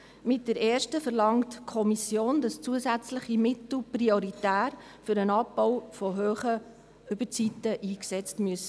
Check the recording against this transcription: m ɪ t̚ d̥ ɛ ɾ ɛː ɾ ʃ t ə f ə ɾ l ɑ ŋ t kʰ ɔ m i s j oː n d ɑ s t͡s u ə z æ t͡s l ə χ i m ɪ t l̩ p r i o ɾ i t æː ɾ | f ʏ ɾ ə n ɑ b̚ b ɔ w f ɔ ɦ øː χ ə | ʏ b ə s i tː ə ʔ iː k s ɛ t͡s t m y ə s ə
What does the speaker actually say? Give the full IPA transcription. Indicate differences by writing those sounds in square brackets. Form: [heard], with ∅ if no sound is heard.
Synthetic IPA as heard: m ɪ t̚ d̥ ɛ ɾ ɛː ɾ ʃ t ə f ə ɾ l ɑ ŋ t kʰ ɔ m i s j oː n d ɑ s t͡s u ə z æ t͡s l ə χ i m ɪ t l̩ p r i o ɾ i t æː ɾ | f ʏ ɾ ə n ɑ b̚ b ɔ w f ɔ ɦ øː χ ə | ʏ b ə [t͡s] i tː ə ʔ iː k s ɛ t͡s t m y ə s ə

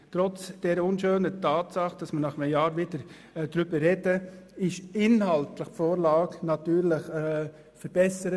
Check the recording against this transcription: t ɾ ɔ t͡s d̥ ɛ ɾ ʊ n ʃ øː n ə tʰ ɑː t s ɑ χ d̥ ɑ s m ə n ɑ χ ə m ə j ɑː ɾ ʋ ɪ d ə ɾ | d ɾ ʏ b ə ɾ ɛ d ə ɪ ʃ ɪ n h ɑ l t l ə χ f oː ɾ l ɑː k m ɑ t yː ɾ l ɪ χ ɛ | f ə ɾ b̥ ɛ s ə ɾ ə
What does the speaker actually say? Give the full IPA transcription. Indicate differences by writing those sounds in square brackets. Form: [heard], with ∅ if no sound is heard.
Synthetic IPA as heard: t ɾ ɔ t͡s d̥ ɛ ɾ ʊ n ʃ øː n ə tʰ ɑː t s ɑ χ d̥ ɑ s m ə n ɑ χ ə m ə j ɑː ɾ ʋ ɪ d ə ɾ | d ɾ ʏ b ə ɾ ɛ d ə ɪ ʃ ɪ n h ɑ l t l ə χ f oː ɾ l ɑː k [n] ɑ t yː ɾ l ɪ χ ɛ | f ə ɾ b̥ ɛ s ə ɾ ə

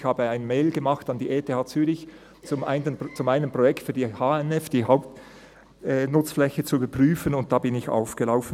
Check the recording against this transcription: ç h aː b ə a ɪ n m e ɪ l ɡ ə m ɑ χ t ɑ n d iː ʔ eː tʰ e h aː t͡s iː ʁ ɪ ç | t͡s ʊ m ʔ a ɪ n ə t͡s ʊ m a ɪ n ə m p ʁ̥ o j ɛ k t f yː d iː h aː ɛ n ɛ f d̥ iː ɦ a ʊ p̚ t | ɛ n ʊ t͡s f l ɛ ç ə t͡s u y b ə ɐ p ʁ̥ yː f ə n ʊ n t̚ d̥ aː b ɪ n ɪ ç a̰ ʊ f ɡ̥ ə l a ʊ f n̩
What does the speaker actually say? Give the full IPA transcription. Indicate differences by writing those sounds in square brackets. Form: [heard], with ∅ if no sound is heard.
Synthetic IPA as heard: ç h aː b ə a ɪ n m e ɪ l ɡ ə m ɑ χ t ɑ n d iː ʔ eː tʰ e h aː t͡s [yː] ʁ ɪ ç | t͡s ʊ m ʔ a ɪ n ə t͡s ʊ m a ɪ n ə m p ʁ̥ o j ɛ k t f yː d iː h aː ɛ n ɛ f d̥ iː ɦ a ʊ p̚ t | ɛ n ʊ t͡s f l ɛ ç ə t͡s u y b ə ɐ p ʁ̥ yː f ə n ʊ n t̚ d̥ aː b ɪ n ɪ ç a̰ ʊ f ɡ̥ ə l a ʊ f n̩

